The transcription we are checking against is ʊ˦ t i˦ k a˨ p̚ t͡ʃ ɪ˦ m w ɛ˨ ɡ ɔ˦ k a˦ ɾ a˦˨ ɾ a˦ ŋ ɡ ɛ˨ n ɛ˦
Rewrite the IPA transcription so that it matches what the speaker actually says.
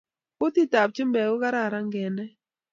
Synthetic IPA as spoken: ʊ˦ t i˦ t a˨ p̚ t͡ʃ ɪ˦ m b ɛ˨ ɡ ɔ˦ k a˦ ɾ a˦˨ ɾ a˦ ŋ ɡ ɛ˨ n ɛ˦